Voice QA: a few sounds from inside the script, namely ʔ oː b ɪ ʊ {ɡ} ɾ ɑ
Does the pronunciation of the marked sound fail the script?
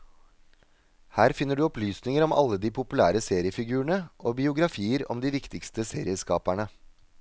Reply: no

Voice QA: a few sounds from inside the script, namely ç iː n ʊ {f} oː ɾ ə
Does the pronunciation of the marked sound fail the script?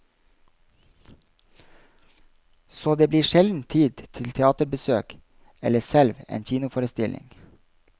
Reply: no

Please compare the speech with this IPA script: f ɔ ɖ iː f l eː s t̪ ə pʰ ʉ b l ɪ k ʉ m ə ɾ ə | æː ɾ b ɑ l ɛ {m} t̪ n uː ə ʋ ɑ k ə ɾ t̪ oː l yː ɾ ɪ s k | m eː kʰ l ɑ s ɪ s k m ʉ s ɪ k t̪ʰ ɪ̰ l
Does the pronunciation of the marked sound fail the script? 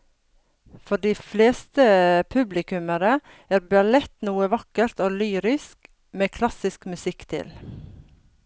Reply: yes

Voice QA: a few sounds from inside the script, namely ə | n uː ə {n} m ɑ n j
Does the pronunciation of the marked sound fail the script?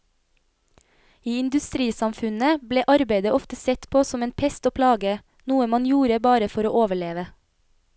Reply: yes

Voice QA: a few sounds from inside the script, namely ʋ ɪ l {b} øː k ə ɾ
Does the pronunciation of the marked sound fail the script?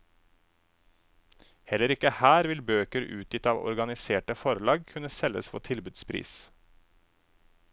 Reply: no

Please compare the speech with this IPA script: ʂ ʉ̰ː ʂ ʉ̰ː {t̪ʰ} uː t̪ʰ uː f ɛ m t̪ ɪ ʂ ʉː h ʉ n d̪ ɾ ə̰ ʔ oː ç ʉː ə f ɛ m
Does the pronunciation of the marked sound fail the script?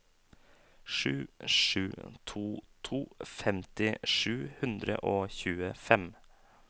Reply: no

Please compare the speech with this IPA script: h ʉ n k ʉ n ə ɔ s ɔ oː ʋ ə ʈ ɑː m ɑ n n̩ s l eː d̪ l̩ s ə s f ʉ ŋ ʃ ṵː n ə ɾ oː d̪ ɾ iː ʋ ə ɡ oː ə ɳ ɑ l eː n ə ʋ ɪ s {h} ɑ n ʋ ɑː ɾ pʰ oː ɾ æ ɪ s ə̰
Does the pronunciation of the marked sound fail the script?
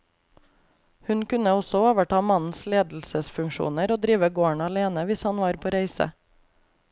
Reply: no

